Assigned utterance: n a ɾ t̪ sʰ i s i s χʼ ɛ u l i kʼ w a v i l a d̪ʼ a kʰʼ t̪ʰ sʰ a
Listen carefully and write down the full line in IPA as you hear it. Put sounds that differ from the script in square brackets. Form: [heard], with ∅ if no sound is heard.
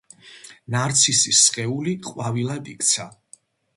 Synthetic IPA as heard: n a ɾ t̪ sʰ i s i s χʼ ɛ u l i [qʼ] w a v i l a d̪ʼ [i] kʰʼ [t̪] sʰ a